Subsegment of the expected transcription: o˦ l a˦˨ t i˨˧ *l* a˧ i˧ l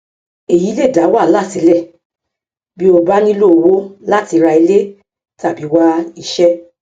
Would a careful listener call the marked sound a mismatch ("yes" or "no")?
yes